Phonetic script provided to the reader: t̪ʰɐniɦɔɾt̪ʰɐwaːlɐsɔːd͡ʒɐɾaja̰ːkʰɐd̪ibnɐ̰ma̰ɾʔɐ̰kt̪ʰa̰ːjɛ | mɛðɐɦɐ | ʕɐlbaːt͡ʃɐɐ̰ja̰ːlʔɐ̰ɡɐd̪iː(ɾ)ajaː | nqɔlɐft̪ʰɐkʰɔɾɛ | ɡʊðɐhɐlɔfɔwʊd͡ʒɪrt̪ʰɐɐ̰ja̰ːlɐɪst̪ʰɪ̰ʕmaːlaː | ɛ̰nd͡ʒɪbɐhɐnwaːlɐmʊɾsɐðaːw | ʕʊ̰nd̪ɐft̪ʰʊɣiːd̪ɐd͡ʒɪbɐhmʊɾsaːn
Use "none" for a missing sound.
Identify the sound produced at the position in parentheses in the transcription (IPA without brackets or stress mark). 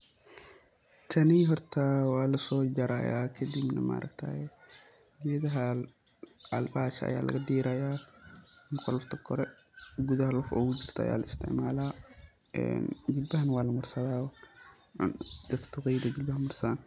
ɾ